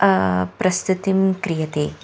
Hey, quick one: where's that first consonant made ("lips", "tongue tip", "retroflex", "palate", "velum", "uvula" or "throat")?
lips